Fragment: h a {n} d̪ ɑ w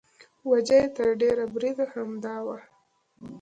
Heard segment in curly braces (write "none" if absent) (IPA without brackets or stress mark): m